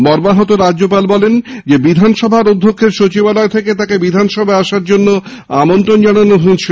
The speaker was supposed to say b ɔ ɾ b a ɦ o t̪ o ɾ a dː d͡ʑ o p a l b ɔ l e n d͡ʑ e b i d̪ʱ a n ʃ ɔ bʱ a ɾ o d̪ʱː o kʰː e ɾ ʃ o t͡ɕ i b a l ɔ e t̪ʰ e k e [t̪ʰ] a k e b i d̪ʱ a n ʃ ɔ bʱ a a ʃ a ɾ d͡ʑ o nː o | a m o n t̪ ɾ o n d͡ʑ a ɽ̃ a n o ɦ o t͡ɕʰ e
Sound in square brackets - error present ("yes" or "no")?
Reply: yes